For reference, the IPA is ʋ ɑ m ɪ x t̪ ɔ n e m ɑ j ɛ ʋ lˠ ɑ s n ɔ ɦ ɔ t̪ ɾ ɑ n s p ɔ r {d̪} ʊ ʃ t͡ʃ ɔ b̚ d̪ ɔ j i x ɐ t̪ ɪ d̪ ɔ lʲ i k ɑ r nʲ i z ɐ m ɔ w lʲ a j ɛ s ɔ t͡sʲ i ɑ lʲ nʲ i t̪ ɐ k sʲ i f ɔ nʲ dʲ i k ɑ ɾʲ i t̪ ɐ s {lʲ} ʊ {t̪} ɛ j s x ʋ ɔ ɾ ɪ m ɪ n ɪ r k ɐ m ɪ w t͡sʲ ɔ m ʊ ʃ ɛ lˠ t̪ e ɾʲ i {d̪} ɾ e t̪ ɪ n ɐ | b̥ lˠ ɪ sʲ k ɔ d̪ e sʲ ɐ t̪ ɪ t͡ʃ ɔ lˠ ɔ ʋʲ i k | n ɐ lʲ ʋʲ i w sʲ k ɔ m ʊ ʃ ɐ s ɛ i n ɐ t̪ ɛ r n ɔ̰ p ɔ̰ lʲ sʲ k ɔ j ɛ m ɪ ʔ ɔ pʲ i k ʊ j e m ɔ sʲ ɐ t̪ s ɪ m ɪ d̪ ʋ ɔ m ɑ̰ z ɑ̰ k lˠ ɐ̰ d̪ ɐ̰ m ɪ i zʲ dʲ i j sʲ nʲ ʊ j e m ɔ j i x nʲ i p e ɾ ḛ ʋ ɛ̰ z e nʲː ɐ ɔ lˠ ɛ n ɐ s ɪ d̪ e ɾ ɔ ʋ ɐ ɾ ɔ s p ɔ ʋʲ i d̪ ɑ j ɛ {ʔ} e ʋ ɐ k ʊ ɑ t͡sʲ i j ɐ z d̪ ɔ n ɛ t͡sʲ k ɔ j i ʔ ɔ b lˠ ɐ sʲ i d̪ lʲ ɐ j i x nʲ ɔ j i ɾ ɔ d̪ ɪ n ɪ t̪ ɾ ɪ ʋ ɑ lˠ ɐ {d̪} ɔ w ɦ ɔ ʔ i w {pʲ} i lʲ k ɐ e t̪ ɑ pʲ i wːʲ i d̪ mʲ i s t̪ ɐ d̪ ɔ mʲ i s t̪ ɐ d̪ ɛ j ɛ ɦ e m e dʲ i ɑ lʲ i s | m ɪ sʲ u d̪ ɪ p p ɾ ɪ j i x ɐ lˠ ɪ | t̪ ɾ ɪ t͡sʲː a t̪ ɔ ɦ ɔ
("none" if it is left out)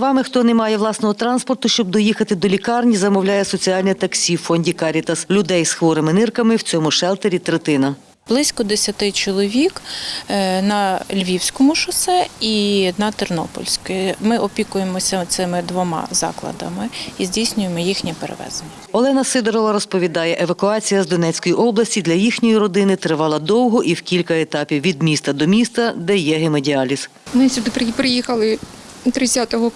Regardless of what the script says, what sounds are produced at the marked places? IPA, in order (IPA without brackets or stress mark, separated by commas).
t̪, lʲ, d̪, t̪, ʔ, d̪, kʲ